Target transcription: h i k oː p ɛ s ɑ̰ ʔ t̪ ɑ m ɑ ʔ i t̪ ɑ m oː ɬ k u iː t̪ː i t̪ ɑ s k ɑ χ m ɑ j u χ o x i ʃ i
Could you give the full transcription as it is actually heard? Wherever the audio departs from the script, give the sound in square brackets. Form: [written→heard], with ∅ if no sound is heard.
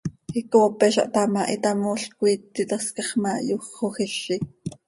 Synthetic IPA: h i k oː p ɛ [s→ʃ] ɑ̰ ʔ t̪ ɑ m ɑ ʔ i t̪ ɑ m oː ɬ k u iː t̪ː i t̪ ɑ s k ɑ χ m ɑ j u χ o x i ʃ i